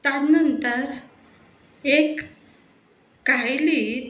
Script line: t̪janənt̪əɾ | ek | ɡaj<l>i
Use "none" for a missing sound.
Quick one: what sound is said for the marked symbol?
l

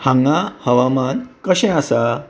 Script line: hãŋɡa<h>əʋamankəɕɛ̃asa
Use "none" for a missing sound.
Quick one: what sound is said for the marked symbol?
h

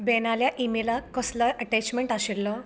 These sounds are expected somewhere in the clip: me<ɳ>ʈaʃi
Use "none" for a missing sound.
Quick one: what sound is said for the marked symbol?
ɳ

